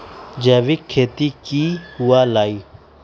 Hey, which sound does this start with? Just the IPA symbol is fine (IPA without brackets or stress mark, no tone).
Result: d͡ʒ